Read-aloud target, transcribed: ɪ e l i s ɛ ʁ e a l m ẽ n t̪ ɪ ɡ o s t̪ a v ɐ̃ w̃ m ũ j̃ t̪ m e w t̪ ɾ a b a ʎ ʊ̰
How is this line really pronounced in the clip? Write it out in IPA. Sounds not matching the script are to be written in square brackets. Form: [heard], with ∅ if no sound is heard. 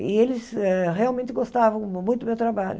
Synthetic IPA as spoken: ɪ e l [ɪ] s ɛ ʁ e a l m ẽ n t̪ ɪ ɡ o s t̪ a v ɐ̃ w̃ m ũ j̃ t̪ m e w t̪ ɾ a b a ʎ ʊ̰